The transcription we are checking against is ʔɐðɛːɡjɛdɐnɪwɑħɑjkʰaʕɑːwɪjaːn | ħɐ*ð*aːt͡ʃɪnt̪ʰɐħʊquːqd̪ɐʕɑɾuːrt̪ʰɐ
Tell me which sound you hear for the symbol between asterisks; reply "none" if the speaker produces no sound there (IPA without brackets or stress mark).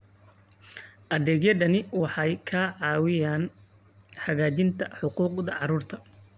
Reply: ɣ